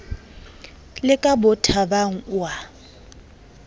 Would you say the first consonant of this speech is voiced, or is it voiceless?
voiced